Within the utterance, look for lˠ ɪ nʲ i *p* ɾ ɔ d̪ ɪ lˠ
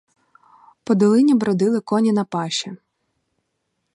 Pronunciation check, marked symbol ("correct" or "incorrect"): incorrect